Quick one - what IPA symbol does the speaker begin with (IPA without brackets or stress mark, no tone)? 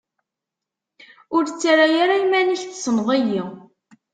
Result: ʊ